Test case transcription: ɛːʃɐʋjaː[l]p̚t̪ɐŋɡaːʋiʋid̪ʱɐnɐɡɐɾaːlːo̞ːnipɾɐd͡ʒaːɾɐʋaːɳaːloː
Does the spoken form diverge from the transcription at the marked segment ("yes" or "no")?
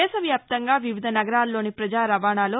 yes